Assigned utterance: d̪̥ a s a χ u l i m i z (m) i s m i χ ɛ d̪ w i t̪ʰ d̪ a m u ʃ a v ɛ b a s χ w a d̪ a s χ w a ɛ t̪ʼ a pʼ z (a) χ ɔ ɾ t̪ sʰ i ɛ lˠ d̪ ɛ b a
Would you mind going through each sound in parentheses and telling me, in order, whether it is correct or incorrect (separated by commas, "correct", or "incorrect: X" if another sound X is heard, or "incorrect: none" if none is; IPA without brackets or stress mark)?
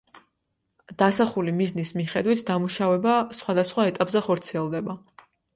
incorrect: n, incorrect: ɛ